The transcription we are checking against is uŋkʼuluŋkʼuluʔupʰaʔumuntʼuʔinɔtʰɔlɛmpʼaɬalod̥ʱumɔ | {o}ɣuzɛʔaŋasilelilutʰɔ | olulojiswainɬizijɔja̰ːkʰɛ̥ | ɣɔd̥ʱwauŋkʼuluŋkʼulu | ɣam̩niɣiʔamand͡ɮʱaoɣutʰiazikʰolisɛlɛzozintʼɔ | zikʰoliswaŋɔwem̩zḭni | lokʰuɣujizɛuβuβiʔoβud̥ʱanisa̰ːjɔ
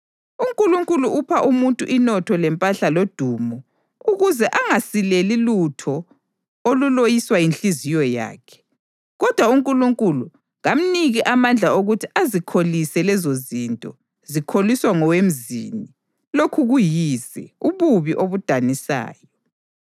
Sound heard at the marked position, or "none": u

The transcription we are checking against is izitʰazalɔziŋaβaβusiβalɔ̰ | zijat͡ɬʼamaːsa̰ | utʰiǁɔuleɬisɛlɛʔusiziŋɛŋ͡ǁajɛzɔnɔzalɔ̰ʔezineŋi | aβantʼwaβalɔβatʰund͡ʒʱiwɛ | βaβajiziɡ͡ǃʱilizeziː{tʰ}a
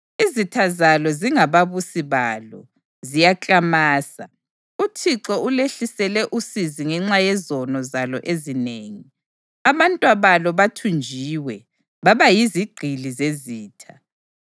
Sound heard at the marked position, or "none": tʰ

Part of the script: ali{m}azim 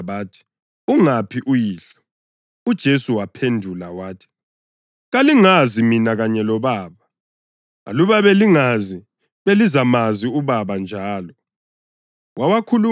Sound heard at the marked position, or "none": ŋ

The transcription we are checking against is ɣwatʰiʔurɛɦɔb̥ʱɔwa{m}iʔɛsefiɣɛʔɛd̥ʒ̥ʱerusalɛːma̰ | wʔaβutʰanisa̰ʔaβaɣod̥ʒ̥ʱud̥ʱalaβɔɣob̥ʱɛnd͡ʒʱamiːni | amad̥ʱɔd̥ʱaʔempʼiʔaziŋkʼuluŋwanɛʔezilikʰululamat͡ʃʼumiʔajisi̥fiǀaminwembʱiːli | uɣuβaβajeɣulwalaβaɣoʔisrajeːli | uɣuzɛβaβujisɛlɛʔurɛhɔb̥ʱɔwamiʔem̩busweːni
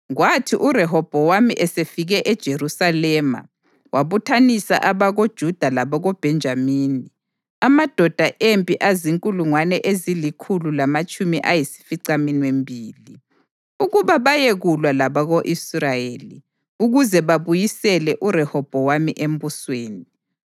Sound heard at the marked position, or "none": m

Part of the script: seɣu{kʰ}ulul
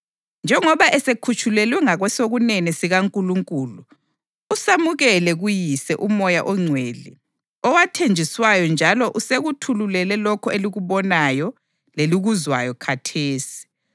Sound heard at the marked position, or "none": tʰ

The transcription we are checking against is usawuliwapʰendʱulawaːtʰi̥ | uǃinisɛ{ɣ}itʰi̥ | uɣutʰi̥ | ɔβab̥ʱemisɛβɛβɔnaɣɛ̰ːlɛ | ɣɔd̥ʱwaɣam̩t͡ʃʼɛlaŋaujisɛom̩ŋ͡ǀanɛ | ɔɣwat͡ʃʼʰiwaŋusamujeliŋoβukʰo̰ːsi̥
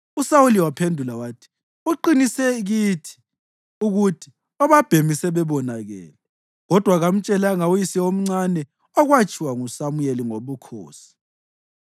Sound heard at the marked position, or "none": ɣ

